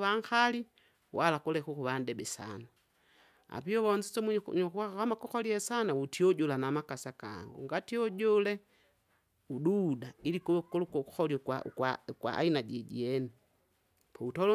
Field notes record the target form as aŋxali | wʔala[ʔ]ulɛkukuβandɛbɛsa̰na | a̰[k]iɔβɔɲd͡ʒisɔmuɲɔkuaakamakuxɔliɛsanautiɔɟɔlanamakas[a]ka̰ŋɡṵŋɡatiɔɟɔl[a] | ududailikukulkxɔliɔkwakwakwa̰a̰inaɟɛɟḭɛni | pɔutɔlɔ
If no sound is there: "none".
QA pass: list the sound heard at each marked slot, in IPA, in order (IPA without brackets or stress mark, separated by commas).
k, p, a, ɛ